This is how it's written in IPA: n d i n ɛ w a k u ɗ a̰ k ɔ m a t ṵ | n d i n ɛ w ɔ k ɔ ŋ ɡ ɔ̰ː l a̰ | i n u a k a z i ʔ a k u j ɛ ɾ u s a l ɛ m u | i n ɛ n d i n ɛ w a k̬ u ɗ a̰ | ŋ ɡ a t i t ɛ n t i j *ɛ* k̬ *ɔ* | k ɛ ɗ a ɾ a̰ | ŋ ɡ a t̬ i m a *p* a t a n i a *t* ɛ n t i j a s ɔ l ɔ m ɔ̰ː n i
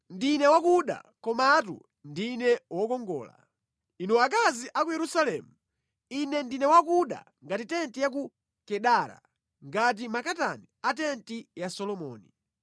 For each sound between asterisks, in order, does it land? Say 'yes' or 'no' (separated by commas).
no, no, no, yes